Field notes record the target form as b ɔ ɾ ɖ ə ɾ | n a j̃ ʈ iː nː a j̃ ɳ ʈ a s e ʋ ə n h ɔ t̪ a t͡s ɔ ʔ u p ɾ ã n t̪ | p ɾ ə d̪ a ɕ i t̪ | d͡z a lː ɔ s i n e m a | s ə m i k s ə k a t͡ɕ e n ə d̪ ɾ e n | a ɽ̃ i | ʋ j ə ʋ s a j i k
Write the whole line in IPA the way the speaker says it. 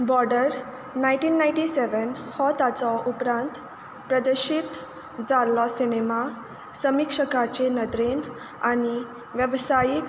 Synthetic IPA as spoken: b ɔ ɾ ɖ ə ɾ | n a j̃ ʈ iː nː a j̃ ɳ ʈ i s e ʋ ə n h ɔ t̪ a t͡s ɔ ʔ u p ɾ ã n t̪ | p ɾ ə d̪ ə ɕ i t̪ | d͡z a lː ɔ s i n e m a | s ə m i k ʂ ə k a t͡ɕ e n ə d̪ ɾ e n | a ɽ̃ i | ʋ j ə ʋ s a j i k